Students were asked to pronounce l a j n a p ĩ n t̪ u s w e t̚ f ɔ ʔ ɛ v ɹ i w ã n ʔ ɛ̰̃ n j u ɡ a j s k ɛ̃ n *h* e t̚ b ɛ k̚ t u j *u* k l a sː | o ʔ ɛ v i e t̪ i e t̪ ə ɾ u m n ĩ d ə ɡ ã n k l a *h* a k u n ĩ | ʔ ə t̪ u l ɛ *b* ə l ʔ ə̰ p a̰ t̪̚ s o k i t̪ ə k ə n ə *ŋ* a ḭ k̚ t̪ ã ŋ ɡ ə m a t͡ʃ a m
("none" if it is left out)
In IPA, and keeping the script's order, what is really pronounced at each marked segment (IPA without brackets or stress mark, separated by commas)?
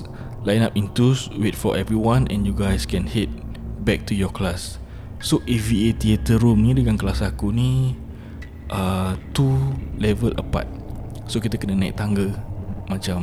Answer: h, ɔ, s, v, n